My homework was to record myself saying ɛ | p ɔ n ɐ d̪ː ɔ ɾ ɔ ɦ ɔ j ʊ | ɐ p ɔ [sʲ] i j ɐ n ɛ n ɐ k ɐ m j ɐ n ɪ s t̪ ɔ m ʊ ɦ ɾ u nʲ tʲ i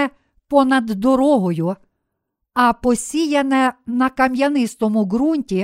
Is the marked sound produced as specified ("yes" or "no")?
yes